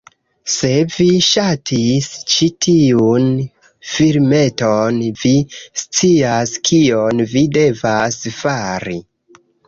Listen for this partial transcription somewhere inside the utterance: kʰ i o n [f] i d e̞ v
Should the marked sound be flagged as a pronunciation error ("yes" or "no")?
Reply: yes